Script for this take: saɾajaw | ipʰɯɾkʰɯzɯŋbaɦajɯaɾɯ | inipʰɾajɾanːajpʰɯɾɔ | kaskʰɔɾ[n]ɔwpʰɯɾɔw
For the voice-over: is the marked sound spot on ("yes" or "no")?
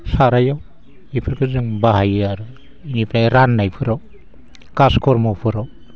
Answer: no